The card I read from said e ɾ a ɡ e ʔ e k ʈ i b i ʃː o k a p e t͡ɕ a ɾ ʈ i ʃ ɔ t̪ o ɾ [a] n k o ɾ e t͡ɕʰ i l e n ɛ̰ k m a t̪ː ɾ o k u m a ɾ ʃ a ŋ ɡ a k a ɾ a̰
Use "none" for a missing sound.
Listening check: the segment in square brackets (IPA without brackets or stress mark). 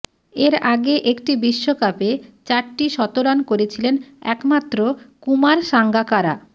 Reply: a